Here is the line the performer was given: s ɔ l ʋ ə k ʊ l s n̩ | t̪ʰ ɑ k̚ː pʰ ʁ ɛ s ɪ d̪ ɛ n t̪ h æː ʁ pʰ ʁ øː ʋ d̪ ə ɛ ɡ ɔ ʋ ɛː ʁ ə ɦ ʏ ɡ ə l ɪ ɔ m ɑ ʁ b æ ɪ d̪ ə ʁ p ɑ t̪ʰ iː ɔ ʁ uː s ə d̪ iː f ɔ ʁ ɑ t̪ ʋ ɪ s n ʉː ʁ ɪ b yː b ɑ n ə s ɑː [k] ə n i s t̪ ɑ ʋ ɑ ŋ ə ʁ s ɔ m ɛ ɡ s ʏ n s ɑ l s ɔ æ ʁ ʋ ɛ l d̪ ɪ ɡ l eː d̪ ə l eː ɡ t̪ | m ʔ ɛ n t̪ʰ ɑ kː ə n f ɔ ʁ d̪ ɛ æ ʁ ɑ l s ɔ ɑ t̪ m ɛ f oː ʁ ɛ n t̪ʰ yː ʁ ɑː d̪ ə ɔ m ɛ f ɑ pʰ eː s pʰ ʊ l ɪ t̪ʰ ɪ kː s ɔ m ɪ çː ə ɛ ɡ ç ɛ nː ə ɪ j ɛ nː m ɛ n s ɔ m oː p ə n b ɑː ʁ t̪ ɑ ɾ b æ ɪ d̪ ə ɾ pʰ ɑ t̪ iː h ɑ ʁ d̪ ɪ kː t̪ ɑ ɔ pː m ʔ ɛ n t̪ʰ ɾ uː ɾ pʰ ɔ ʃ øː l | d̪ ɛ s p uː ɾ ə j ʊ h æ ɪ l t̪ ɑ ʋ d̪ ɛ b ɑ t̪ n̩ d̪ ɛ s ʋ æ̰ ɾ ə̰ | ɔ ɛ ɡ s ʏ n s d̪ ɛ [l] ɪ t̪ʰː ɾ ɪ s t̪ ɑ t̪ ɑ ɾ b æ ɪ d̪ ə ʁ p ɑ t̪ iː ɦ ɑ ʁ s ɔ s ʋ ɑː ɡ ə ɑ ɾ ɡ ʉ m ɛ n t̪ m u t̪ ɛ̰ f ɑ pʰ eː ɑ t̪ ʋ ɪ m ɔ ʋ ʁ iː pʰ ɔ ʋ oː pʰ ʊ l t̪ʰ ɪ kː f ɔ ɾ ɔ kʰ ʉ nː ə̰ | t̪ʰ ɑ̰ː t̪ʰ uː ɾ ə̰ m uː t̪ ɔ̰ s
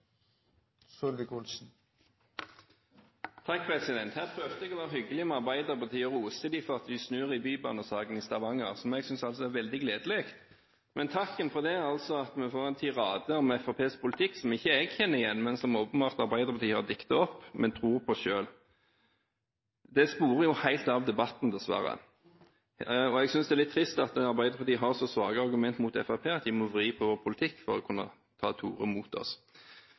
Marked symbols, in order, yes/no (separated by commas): no, yes